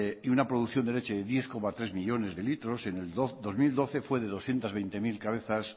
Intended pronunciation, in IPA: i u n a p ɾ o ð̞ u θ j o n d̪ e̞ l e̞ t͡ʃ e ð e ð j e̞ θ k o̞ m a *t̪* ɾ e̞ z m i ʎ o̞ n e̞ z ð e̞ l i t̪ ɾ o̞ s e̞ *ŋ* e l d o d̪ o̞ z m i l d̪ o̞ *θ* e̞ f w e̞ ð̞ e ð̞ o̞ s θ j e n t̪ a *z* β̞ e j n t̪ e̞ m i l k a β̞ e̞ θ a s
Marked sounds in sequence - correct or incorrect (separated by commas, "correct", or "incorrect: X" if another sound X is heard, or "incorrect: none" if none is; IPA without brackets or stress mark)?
correct, incorrect: n, correct, correct